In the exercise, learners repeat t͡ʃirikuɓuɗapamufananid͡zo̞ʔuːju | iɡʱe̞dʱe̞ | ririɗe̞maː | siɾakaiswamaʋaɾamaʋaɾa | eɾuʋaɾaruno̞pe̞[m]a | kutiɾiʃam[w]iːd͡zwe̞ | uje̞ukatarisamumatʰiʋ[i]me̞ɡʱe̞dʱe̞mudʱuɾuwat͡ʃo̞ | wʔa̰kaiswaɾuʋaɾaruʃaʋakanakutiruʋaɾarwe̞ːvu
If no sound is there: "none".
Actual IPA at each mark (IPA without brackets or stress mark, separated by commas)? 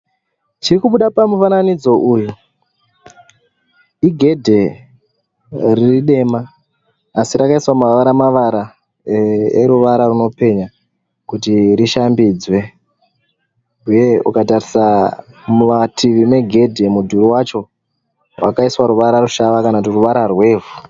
ɲ, b, i